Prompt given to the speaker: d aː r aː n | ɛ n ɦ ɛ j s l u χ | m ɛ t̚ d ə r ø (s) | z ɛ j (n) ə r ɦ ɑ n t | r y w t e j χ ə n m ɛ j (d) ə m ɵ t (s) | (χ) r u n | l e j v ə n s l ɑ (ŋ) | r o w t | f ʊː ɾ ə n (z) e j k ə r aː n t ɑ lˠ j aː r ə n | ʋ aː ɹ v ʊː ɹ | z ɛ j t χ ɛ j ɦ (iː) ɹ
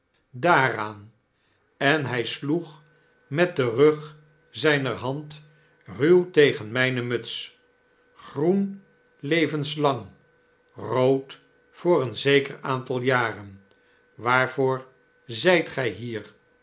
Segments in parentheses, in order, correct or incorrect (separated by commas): incorrect, correct, incorrect, correct, correct, correct, correct, correct